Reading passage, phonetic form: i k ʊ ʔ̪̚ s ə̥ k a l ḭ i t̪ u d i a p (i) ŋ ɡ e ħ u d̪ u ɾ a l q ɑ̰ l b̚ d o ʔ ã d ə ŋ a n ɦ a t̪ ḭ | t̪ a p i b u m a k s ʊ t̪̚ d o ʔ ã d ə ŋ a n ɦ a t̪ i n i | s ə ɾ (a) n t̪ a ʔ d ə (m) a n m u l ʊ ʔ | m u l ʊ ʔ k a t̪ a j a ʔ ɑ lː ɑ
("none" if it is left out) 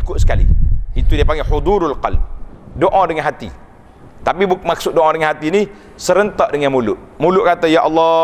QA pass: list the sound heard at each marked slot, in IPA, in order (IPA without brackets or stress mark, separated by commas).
a, ə, ŋ